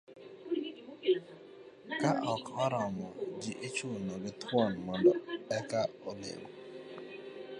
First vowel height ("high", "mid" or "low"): low